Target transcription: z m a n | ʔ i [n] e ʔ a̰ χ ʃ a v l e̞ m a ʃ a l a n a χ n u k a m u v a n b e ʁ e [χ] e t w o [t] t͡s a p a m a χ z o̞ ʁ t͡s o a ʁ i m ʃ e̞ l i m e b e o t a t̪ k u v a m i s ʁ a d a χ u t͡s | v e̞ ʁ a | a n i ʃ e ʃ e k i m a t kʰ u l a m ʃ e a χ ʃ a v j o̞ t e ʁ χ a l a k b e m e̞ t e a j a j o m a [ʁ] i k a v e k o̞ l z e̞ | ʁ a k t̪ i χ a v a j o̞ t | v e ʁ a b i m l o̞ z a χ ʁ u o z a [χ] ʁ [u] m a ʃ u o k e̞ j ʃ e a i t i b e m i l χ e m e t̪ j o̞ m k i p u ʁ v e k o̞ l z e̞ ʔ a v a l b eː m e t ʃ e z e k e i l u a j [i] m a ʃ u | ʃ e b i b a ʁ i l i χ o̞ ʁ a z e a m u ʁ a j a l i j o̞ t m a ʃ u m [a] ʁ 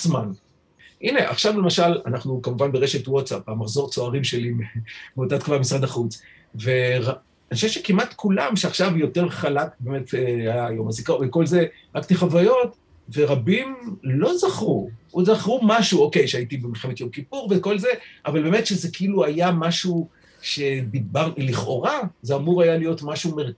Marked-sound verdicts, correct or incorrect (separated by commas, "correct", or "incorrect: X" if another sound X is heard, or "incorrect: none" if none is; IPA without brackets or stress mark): correct, incorrect: ʃ, correct, incorrect: z, correct, correct, incorrect: a, incorrect: e